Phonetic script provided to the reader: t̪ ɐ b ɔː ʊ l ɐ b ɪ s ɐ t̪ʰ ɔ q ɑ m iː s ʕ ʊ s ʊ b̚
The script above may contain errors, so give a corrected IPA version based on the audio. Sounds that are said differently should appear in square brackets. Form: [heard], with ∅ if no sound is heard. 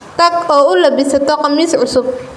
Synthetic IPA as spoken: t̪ ɐ [ɡ] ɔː ʊ l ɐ b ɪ s ɐ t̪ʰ ɔ q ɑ m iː s ʕ ʊ s ʊ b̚